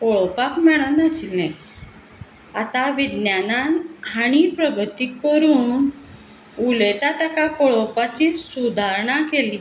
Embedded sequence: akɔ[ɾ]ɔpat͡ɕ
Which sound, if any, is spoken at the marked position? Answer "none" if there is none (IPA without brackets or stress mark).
ɭ